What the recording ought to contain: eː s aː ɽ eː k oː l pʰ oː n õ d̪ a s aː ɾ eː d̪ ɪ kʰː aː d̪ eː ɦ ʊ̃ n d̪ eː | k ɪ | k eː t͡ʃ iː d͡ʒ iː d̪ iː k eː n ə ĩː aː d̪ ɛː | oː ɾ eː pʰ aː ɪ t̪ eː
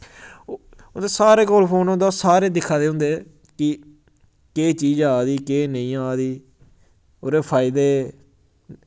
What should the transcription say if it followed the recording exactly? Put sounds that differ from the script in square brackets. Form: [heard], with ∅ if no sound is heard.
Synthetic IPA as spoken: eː s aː [ɾ] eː k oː l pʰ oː n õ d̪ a s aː ɾ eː d̪ ɪ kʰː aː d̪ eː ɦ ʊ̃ n d̪ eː | k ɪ | k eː t͡ʃ iː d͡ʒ [aː] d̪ iː k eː n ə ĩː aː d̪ [iː] | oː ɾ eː pʰ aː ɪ [d̪] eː